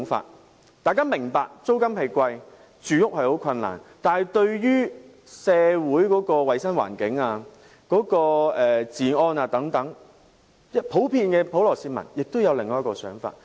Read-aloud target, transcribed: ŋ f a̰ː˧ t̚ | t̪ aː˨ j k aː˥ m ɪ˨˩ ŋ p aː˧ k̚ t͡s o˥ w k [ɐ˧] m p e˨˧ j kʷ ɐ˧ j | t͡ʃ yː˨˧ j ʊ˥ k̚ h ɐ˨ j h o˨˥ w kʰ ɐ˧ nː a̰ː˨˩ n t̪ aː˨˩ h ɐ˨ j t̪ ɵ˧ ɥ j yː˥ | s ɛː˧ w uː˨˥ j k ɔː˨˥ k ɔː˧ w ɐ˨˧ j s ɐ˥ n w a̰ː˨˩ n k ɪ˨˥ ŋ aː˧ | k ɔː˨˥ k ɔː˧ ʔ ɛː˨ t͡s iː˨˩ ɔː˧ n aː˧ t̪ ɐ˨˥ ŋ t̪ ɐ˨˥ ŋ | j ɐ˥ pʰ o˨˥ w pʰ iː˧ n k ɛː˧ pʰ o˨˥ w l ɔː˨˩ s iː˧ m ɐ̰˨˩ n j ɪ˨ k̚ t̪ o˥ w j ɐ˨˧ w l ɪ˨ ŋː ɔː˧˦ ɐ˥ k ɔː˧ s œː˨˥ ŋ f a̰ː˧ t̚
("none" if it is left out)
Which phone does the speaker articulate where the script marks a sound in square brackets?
ɐ˥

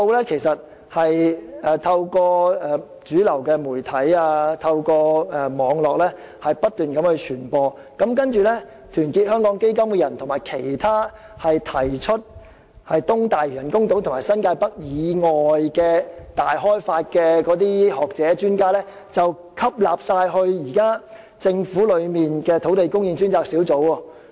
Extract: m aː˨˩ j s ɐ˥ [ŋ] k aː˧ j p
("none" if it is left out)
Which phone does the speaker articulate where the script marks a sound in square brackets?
n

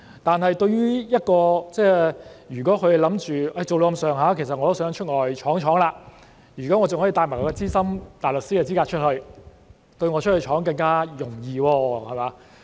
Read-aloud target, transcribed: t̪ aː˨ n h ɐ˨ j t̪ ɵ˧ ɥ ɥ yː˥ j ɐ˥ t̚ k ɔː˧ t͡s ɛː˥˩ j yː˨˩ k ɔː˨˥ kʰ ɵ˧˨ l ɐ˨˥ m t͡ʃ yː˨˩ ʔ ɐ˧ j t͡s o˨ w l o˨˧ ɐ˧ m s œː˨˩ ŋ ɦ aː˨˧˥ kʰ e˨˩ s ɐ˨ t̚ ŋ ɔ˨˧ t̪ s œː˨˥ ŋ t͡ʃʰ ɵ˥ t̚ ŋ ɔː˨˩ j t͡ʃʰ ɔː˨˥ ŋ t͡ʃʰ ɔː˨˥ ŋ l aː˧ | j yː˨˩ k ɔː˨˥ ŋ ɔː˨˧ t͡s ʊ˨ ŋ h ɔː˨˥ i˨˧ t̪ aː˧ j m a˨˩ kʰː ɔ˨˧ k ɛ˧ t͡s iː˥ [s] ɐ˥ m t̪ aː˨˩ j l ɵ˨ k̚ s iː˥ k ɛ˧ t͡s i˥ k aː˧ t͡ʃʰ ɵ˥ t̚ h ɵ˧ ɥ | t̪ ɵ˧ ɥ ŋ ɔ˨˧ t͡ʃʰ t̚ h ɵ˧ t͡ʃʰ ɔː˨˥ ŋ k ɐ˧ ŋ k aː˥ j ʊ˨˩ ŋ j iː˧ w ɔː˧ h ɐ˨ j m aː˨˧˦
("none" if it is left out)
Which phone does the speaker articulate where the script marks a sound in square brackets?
s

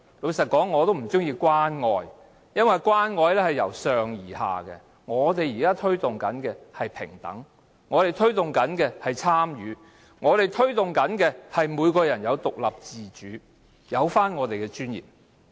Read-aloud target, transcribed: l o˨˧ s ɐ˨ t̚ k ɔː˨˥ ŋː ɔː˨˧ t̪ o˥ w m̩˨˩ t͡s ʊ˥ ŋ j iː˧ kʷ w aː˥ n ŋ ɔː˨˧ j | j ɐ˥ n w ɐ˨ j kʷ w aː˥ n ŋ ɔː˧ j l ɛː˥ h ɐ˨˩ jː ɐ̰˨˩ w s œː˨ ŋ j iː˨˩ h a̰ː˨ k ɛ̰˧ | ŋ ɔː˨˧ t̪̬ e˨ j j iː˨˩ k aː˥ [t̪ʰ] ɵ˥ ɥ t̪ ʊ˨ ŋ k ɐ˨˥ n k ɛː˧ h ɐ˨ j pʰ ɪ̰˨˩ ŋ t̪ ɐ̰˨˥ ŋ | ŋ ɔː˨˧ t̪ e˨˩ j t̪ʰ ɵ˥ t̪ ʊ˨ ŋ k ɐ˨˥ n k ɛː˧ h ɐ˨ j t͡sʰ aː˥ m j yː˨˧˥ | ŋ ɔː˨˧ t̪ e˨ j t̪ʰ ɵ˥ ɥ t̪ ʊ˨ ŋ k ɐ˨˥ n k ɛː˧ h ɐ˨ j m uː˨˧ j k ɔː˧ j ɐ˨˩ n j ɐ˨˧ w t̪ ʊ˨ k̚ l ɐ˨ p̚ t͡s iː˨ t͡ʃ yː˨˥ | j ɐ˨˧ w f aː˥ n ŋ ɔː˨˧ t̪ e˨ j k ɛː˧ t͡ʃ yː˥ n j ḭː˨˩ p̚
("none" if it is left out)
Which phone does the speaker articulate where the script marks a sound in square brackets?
t̪ʰ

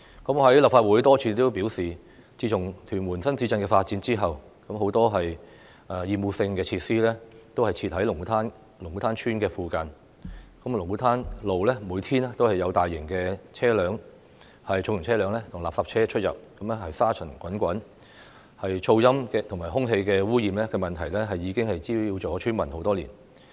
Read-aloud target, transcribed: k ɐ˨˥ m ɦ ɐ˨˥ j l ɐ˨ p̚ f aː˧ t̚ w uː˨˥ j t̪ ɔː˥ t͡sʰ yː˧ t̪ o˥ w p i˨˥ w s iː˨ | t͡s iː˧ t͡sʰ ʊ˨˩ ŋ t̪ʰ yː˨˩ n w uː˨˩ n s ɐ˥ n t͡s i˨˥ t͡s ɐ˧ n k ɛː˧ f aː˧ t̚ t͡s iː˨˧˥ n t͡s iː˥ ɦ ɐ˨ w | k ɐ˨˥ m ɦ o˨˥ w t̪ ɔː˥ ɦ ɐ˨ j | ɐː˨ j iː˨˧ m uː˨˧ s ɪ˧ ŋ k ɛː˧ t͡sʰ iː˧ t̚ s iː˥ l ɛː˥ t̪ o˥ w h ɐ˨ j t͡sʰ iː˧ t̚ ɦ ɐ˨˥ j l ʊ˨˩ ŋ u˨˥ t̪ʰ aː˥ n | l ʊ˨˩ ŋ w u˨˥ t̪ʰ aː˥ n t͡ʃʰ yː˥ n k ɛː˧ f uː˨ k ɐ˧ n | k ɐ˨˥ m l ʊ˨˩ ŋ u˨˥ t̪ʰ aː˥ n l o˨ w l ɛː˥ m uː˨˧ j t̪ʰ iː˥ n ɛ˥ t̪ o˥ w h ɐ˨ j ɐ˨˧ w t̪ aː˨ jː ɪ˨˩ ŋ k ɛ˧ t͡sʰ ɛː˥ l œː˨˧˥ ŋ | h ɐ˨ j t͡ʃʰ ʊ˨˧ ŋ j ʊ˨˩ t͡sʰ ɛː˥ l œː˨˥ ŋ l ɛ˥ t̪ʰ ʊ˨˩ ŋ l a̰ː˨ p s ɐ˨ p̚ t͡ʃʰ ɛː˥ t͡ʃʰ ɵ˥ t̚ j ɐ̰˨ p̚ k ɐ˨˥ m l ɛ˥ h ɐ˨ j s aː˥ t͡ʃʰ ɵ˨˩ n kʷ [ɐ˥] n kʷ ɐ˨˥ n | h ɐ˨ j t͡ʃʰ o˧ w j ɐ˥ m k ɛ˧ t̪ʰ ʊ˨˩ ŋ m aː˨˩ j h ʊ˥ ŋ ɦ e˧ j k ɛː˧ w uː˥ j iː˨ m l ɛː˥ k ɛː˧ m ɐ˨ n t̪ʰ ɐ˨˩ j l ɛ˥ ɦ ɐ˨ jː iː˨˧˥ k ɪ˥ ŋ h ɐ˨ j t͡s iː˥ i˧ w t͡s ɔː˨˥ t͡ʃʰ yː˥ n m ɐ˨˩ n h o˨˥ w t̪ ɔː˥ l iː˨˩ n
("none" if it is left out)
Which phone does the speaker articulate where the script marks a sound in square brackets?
ɐ˨˥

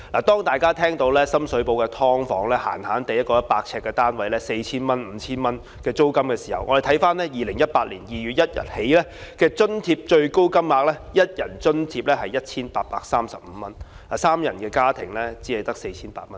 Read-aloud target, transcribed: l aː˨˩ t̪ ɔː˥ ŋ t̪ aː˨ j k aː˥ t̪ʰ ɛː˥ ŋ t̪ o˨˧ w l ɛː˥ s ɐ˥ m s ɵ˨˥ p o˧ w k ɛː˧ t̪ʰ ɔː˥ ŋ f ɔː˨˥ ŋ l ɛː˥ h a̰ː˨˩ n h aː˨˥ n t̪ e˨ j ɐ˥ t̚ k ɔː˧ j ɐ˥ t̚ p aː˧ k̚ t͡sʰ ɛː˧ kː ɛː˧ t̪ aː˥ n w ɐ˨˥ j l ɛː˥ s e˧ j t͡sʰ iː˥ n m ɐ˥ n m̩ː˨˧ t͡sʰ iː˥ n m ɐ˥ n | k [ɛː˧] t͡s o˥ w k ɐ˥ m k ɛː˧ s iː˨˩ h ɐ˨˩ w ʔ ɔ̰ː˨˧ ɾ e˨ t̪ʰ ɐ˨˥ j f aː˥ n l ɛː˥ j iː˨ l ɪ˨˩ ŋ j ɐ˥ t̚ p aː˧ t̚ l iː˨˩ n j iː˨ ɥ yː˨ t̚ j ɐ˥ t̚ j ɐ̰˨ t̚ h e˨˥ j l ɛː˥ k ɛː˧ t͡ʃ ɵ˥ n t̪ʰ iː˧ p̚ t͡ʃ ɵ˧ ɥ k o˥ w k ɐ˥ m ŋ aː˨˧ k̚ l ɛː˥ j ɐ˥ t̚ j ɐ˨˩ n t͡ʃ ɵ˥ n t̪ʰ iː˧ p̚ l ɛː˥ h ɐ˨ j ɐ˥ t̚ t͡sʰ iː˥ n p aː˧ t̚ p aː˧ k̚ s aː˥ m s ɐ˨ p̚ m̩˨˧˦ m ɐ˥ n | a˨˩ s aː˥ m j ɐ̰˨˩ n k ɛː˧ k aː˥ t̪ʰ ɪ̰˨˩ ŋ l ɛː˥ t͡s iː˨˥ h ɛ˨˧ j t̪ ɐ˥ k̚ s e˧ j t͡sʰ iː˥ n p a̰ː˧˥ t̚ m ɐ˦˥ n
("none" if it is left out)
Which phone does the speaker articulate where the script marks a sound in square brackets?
ɛː˧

